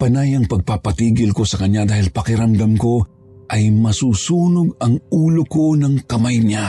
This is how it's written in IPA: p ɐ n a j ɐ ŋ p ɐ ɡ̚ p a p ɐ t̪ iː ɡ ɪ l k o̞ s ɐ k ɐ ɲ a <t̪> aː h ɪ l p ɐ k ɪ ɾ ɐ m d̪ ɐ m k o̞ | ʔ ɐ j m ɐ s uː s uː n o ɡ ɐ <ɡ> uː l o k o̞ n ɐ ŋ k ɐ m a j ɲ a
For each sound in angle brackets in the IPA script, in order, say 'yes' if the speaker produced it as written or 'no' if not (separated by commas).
no, no